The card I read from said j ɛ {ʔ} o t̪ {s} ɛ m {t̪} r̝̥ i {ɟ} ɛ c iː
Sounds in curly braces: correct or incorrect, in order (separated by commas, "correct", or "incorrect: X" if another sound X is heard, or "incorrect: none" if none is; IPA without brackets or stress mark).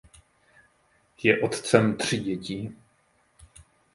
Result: correct, incorrect: t͡s, correct, correct